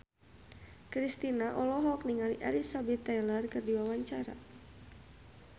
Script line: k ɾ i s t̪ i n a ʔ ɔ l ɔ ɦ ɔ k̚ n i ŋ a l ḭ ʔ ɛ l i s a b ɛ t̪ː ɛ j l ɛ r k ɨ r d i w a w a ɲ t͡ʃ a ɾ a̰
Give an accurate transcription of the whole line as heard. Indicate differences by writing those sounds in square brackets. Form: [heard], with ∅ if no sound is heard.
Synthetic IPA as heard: k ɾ i s t̪ i n a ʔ ɔ l ɔ ɦ ɔ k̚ n i ŋ a l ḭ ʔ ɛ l i s a b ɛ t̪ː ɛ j l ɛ r k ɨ r d i w a w a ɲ t͡ʃ a ɾ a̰